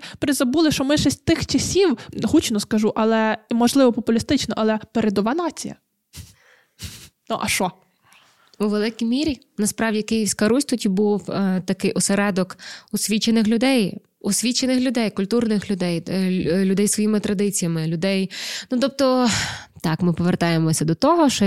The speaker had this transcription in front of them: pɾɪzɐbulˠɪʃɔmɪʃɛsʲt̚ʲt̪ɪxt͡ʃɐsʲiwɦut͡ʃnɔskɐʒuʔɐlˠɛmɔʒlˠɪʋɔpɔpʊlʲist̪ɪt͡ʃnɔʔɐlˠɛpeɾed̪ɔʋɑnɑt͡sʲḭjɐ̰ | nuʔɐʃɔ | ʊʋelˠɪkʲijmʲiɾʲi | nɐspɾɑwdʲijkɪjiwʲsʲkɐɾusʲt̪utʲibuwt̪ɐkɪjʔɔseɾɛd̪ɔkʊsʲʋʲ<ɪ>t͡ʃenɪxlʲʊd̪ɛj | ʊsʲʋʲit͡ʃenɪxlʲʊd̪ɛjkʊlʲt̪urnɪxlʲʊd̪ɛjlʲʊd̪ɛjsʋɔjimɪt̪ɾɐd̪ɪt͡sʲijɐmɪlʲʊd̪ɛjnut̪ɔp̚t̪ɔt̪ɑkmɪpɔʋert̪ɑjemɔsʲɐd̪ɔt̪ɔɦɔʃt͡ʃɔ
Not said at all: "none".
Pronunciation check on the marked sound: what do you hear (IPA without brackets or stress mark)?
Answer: i